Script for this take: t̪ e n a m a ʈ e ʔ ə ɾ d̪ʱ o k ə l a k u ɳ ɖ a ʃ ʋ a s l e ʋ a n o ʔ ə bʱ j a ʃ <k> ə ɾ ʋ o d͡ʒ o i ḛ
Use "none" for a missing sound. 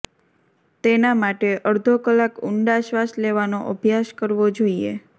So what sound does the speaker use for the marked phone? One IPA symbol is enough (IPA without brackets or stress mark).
k